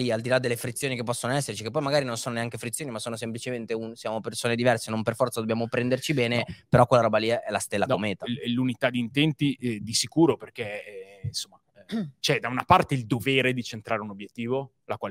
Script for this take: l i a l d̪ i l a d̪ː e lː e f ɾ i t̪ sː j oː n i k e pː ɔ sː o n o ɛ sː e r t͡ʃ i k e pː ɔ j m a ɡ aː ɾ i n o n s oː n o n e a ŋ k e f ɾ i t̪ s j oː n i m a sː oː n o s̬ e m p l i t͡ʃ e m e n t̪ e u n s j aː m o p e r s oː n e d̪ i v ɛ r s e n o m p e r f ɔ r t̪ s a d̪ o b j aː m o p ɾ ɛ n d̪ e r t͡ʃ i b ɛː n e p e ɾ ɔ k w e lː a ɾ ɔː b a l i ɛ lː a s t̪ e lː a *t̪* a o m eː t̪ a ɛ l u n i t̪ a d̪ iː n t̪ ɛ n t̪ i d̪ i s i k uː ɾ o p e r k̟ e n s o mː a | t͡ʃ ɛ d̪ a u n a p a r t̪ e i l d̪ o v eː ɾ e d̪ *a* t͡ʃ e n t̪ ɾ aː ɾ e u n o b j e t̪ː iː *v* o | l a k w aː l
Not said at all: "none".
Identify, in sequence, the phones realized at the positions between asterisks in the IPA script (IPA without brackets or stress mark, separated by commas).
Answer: d̪, i, v